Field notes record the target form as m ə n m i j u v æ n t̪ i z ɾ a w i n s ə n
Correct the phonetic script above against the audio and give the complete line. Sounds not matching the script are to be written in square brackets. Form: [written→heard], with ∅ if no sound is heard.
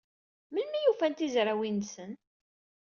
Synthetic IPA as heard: m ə n m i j u [v→f] æ n t̪ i z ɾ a w i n s ə n